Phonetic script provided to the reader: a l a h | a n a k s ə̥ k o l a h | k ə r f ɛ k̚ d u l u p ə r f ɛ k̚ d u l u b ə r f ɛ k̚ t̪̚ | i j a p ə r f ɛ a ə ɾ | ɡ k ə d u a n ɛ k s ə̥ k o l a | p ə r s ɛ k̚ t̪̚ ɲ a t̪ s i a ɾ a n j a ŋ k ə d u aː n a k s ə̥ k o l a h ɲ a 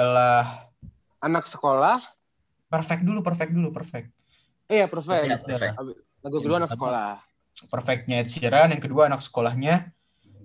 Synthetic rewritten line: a l a h | a n a k s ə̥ k o l a h | p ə r f ɛ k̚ d u l u p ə r f ɛ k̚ d u l u p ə r f ɛ k̚ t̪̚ | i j a p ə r f ɛ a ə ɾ | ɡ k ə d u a n a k s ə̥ k o l a | p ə r f ɛ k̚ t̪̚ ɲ a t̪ s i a ɾ a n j a ŋ k ə d u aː n a k s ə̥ k o l a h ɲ a